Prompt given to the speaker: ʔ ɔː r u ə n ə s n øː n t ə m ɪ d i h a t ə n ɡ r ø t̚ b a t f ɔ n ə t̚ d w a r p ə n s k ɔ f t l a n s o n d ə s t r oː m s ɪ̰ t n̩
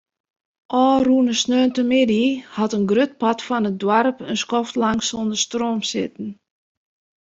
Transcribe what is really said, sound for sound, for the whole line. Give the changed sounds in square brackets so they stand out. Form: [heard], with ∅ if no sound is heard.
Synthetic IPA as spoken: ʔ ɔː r u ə n ə s n øː n t ə m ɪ d i h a t ə n ɡ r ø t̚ [p] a t f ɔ n ə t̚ d w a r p ə n s k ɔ f t l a [ŋ] s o n d ə s t r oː m s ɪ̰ t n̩